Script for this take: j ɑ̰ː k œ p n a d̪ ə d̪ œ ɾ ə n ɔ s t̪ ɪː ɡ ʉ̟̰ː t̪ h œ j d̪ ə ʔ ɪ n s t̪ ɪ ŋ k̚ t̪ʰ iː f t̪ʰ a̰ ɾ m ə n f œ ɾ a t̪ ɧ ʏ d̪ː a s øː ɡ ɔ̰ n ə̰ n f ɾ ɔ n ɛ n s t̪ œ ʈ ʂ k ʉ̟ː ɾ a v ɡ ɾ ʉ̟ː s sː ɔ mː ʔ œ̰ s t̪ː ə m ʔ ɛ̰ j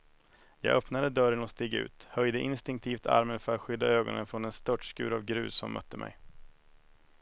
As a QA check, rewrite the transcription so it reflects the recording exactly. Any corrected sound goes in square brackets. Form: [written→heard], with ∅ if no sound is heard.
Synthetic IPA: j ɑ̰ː [k→ɡ] œ p n a d̪ ə d̪ œ ɾ ə n ɔ s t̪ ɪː ɡ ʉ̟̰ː t̪ h œ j d̪ ə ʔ ɪ n s t̪ ɪ ŋ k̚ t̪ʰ iː f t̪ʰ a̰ ɾ m ə n f œ ɾ a t̪ ɧ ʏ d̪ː a [s→∅] øː ɡ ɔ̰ n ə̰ n f ɾ ɔ n ɛ n s t̪ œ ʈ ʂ k ʉ̟ː ɾ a v ɡ ɾ ʉ̟ː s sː ɔ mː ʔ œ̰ [s→∅] t̪ː ə m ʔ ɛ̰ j